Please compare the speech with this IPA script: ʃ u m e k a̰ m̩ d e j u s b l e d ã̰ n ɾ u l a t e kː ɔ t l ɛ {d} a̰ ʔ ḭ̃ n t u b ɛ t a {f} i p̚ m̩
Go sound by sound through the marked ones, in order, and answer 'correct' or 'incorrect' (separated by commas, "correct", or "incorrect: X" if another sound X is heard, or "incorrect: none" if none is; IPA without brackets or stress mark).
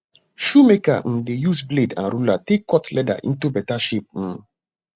correct, incorrect: ʃ